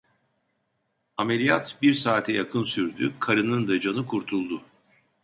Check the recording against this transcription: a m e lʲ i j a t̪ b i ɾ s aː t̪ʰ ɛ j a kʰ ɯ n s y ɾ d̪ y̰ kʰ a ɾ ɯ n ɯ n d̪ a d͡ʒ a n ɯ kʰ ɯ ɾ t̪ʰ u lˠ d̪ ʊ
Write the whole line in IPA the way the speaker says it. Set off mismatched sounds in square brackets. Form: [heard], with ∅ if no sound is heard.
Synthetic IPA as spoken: a m e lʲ i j a t̪ b i ɾ s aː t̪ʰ ɛ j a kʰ ɯ n s y ɾ d̪ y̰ kʰ a ɾ ɯ n ɯ n d̪ a d͡ʒ a n ɯ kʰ [u] ɾ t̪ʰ u lˠ d̪ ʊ

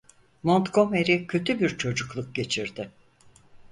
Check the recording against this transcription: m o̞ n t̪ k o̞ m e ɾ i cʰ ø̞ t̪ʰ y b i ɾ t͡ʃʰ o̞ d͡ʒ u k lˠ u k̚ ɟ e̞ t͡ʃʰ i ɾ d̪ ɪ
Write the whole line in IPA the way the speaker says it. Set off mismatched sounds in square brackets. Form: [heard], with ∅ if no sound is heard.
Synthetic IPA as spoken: m o̞ n t̪ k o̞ m e ɾ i cʰ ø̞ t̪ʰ y b i ɾ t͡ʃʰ o̞ d͡ʒ u k lˠ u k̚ ɟ e̞ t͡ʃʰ i ɾ d̪ ɪ

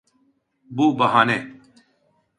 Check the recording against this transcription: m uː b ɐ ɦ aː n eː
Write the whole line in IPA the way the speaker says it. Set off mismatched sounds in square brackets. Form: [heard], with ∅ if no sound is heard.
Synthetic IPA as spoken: [b] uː b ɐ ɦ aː n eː

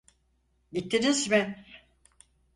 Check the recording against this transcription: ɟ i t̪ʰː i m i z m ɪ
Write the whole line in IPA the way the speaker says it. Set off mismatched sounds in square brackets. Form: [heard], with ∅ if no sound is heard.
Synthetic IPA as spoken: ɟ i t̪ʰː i [n] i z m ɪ

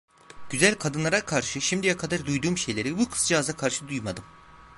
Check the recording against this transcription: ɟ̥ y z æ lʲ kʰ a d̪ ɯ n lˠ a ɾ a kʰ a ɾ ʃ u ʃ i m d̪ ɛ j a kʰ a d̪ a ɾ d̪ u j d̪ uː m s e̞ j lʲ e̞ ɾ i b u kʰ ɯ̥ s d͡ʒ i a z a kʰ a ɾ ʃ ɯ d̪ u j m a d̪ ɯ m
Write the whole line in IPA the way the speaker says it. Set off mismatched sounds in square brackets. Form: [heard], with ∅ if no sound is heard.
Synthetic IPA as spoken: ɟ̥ y z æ lʲ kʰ a d̪ ɯ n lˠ a ɾ a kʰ a ɾ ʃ [ɯ] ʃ i m d̪ [i] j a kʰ a d̪ a ɾ d̪ u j d̪ uː m [ʃ] e̞ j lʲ e̞ ɾ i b u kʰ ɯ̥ s d͡ʒ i a z a kʰ a ɾ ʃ ɯ d̪ u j m a d̪ ɯ m

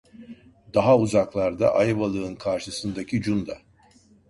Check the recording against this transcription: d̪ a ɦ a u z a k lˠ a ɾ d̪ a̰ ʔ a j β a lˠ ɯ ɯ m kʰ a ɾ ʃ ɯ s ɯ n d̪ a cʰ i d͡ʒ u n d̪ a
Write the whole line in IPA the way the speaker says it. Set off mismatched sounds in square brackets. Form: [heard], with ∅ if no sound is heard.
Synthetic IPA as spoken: d̪ a ɦ a u z a k lˠ a ɾ d̪ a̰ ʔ a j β a lˠ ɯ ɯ [n] kʰ a ɾ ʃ ɯ s ɯ n d̪ a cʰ i d͡ʒ u n d̪ a

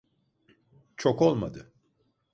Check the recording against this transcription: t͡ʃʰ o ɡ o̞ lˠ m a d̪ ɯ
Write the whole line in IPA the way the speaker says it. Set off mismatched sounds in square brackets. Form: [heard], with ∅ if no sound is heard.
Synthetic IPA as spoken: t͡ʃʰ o [k] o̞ lˠ m a d̪ ɯ

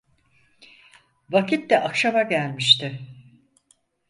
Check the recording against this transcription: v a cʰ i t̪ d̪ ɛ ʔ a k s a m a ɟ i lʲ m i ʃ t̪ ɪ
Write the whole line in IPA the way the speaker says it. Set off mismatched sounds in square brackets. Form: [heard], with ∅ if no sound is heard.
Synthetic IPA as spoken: v a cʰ i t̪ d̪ ɛ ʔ a k [ʃ] a m a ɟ [æ] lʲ m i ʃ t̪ ɪ

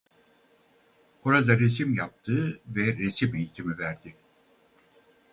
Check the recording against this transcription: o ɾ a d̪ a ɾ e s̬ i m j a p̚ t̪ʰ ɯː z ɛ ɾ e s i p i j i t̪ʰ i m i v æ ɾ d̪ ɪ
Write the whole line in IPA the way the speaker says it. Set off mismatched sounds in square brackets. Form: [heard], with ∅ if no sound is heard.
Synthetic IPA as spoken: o ɾ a d̪ a ɾ e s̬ i m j a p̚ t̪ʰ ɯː [v] ɛ ɾ e s i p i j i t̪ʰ i m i v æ ɾ d̪ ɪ

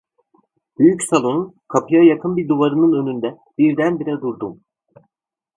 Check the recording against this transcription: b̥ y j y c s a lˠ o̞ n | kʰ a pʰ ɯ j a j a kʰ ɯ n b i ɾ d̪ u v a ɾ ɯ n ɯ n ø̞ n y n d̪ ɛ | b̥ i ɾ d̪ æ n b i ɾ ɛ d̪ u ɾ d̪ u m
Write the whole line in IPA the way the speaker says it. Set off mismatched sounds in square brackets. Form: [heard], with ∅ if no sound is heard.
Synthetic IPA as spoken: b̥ y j y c s a lˠ o̞ n | kʰ a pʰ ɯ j a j a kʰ ɯ n b i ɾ d̪ u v a ɾ ɯ n ɯ n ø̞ n y n d̪ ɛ | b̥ i ɾ d̪ æ n b i ɾ ɛ d̪ u ɾ d̪ u m

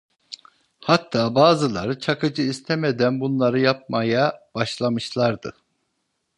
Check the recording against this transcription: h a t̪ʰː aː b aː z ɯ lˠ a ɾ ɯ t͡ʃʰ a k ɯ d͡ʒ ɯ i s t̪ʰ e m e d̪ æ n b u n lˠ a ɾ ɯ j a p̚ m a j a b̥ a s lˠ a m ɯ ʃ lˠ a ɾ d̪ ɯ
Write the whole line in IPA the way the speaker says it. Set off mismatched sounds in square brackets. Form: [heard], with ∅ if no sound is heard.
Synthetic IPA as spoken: h a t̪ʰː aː b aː z ɯ lˠ a ɾ ɯ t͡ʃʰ a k ɯ d͡ʒ ɯ i s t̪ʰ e m e d̪ æ n b u n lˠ a ɾ ɯ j a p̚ m a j a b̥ a [ʃ] lˠ a m ɯ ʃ lˠ a ɾ d̪ ɯ

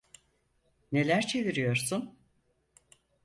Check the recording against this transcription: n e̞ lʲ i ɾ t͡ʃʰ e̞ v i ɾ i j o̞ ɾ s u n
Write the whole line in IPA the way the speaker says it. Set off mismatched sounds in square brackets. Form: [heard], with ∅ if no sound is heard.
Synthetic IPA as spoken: n e̞ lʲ [æ] ɾ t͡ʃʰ e̞ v i ɾ i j o̞ ɾ s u n

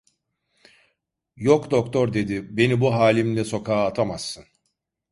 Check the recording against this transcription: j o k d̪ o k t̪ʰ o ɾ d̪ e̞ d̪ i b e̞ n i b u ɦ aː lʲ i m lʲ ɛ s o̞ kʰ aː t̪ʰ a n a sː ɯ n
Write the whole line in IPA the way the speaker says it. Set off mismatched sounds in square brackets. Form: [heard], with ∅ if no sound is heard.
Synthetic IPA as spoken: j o k d̪ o k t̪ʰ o ɾ d̪ e̞ d̪ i b e̞ n i b u ɦ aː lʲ i m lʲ ɛ s o̞ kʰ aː t̪ʰ a [m] a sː ɯ n

